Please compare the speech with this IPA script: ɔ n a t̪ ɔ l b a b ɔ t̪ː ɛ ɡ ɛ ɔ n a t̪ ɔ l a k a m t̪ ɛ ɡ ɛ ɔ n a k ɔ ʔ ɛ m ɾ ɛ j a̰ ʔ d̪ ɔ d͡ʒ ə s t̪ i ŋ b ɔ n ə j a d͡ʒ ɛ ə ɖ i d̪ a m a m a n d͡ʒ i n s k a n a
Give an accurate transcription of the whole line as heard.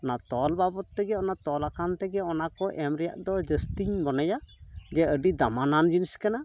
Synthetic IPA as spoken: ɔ n a t̪ ɔ l b a b ɔ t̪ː ɛ ɡ ɛ ɔ n a t̪ ɔ l a k a n t̪ ɛ ɡ ɛ ɔ n a k ɔ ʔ ɛ m ɾ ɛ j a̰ ʔ d̪ ɔ d͡ʒ ə s t̪ i ɲ b ɔ n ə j a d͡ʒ ɛ ə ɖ i d̪ a m a n a n d͡ʒ i n s k a n a